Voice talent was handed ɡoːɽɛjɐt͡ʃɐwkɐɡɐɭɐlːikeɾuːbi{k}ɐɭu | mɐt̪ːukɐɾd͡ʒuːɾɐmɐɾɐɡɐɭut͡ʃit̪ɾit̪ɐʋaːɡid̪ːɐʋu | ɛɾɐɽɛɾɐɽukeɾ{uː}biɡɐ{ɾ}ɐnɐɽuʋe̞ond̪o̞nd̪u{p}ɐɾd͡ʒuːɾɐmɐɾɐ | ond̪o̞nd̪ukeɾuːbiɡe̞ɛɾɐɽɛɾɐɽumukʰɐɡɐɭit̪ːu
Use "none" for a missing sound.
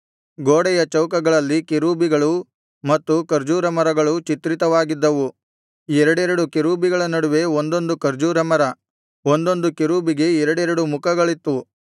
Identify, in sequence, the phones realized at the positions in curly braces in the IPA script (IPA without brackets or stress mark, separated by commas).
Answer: ɡ, uː, ɭ, k